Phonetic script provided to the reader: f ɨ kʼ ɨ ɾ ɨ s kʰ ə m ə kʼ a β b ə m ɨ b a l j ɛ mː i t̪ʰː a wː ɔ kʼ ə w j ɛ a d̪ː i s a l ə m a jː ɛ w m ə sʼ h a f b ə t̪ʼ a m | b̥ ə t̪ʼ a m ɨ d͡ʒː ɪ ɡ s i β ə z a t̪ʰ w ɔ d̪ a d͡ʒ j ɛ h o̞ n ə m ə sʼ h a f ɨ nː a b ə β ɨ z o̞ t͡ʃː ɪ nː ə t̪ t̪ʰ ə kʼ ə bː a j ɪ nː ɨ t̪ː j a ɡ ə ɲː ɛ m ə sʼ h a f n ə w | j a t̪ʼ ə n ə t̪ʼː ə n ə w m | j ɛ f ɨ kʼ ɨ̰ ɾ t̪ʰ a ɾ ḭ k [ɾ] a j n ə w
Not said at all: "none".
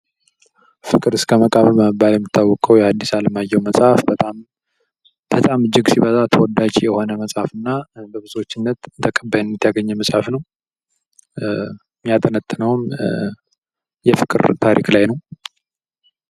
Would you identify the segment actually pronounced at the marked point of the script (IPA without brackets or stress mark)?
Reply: l